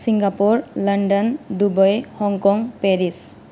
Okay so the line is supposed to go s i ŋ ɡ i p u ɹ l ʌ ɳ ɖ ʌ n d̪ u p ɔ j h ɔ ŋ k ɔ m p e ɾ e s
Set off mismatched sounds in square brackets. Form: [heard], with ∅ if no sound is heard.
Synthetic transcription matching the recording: s i ŋ ɡ [a] p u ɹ l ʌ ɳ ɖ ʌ n d̪ u [b] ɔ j h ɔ ŋ k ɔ [ŋ] p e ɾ [i] s